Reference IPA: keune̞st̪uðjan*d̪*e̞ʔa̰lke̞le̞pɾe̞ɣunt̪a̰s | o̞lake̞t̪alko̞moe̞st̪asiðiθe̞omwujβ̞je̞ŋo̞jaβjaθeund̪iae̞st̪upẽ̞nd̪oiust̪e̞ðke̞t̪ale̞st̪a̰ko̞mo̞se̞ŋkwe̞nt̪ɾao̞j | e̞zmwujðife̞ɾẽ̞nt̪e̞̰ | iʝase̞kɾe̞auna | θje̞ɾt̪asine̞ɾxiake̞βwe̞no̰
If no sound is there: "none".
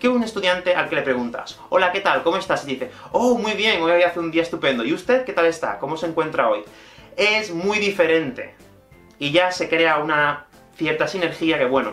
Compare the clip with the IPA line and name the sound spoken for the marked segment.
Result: t̪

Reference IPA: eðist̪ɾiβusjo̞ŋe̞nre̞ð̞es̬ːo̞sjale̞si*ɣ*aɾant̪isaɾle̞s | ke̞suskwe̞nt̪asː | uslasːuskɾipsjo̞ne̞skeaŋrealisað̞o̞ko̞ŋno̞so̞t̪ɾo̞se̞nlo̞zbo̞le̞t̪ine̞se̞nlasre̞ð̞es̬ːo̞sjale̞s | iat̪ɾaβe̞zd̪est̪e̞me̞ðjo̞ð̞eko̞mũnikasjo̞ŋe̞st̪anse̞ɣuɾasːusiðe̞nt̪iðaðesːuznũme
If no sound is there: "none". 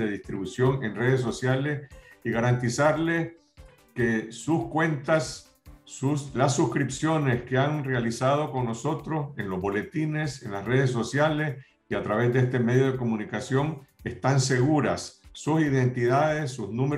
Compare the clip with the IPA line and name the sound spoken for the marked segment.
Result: ɣ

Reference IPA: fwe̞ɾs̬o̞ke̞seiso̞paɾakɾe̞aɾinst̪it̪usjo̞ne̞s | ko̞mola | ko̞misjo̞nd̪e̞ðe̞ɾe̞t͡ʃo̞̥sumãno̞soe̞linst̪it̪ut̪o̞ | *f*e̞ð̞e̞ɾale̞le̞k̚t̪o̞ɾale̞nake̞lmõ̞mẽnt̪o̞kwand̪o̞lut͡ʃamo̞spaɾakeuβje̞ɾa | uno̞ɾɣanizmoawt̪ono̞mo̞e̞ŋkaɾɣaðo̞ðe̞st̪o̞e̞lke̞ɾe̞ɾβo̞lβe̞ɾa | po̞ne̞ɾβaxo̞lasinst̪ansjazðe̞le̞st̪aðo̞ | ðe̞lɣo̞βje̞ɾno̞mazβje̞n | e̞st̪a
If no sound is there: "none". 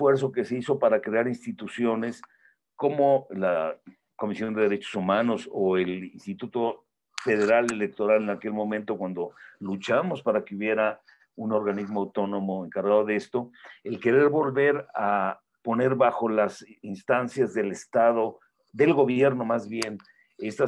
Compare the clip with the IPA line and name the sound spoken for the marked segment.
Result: f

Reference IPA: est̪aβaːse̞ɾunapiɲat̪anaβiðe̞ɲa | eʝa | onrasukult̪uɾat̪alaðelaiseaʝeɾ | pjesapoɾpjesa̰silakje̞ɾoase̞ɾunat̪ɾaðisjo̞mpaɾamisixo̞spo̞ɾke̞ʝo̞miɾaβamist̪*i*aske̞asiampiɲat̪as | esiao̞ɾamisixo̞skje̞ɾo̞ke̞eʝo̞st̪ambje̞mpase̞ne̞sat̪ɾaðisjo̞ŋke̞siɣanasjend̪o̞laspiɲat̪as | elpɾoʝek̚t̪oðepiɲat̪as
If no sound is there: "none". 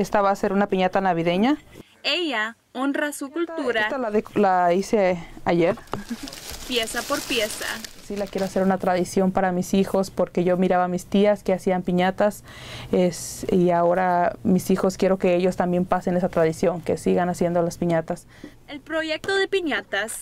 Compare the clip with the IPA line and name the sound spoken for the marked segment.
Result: i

